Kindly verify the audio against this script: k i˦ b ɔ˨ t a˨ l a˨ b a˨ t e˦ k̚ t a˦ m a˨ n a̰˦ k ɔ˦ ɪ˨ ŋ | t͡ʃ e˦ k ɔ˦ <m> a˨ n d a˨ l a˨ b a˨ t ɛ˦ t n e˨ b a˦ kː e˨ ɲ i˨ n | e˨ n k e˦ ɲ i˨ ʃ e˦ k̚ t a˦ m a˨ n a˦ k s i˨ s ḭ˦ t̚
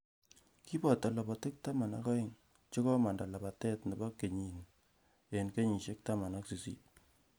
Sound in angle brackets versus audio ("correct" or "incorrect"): correct